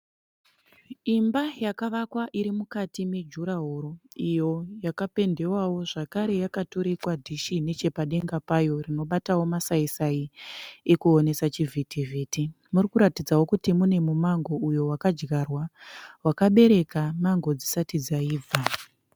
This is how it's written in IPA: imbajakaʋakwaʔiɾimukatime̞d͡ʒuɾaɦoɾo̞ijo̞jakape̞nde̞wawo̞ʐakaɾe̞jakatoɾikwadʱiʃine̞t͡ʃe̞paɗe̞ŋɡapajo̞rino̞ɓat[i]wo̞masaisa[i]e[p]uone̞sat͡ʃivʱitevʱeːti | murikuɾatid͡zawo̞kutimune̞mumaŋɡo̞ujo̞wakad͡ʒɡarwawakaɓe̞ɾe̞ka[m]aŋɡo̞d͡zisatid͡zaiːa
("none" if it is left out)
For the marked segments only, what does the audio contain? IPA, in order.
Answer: a, i, k, m

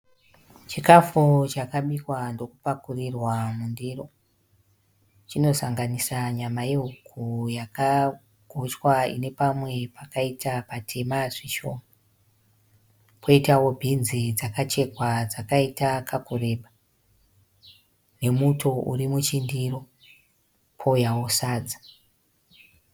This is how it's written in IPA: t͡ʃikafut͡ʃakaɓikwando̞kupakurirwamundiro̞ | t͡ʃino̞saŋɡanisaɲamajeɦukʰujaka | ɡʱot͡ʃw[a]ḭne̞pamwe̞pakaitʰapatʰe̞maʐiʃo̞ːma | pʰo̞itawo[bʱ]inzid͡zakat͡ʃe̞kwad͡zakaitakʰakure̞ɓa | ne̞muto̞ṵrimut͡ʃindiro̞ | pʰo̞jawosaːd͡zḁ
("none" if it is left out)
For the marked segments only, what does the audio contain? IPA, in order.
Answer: a, bʱ

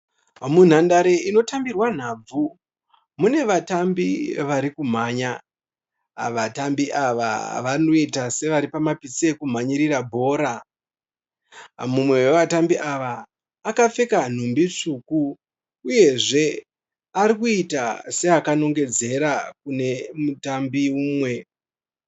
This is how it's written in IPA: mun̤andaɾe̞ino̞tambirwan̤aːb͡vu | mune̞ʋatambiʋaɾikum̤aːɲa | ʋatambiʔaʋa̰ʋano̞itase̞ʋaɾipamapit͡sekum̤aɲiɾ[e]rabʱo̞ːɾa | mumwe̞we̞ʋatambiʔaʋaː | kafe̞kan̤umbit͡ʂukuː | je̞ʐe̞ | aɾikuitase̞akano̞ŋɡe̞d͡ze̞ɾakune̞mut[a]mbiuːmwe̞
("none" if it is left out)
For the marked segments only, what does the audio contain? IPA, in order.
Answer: i, a

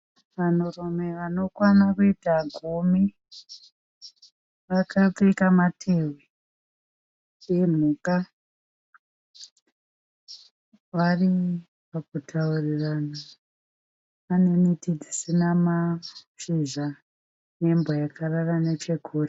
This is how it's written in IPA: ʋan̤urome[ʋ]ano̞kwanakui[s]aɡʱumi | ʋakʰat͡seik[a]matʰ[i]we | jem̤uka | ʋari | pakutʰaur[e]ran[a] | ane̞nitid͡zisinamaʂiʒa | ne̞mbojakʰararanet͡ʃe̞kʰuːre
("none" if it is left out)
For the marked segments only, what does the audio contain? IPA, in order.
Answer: ʋ, t, a, e, i, a

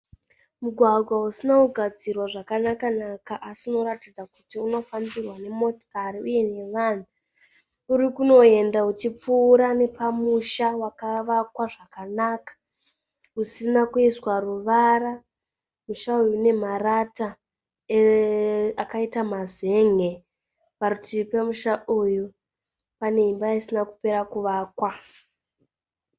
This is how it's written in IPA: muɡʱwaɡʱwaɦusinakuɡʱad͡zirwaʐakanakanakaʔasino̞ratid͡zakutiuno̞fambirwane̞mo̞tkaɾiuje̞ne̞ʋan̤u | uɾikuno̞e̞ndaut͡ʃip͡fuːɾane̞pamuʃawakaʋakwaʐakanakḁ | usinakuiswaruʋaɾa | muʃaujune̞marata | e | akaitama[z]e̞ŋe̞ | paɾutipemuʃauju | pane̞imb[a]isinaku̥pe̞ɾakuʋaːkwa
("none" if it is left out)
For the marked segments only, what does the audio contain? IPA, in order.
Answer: z, a

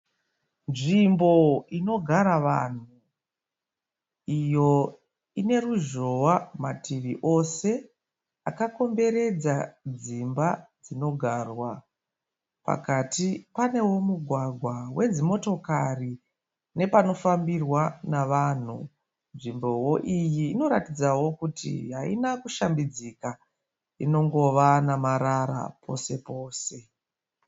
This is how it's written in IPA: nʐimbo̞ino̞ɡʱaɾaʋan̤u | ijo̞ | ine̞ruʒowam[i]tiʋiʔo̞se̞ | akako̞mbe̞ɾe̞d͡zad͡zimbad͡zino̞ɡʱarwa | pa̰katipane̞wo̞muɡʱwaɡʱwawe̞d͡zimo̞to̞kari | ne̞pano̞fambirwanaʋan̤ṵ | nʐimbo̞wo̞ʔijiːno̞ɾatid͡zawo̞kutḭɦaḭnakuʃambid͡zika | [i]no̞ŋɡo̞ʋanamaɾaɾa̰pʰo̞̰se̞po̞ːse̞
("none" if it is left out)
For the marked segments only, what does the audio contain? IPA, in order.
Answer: a, i

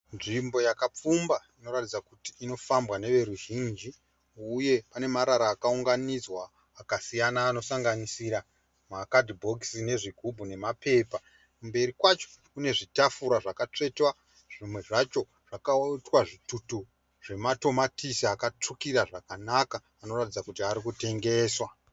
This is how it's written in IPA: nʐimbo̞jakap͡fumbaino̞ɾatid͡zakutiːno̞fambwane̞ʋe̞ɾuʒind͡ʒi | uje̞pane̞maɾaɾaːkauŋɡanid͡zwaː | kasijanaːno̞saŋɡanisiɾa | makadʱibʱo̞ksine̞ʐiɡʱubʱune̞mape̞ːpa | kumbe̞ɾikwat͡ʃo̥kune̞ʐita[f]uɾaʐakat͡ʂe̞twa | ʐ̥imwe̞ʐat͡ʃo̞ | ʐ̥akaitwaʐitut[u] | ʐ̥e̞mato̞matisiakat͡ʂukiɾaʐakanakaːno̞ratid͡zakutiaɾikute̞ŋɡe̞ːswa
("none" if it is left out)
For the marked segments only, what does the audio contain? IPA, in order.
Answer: f, u

